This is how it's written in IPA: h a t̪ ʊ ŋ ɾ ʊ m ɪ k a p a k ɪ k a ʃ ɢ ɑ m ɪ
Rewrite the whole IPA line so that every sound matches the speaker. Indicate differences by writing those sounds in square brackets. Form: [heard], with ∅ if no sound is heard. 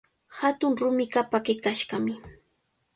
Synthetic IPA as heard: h a t̪ ʊ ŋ ɾ ʊ m ɪ k a p a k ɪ k a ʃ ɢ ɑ m ɪ

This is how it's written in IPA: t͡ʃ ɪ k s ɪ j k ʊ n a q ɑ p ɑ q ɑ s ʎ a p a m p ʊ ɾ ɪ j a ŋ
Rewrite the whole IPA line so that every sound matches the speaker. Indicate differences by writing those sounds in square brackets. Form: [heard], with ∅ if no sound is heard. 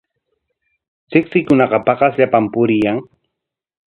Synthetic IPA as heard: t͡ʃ ɪ k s ɪ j k ʊ n [ɑ] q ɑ p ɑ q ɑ s ʎ a p a m p ʊ ɾ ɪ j a ŋ

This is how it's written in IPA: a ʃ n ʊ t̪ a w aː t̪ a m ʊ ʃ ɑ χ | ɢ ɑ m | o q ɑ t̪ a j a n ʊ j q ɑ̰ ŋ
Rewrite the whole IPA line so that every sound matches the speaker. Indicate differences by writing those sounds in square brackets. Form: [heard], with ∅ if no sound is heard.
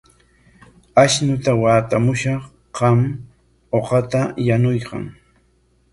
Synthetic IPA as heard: a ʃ n ʊ t̪ a w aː t̪ a m ʊ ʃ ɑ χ | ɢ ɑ m | o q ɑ t̪ a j a n ʊ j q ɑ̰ ŋ

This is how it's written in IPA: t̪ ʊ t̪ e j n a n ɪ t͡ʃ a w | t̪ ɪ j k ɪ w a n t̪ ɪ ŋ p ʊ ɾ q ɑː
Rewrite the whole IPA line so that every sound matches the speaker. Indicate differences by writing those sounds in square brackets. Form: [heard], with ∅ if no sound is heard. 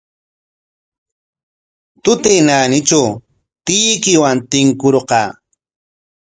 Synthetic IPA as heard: t̪ ʊ t̪ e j n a n ɪ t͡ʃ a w | t̪ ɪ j k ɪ w a n t̪ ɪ ŋ [k] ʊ ɾ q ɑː

